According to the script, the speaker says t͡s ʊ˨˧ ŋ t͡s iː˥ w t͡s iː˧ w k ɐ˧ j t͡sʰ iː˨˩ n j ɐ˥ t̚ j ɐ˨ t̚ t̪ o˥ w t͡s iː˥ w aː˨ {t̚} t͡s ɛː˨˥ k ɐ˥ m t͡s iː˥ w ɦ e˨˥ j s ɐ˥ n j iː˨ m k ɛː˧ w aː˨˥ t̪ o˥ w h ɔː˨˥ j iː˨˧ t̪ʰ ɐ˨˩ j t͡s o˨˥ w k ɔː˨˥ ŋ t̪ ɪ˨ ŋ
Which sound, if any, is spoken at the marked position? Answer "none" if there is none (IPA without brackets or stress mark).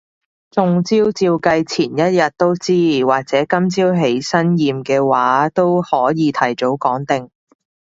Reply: k̚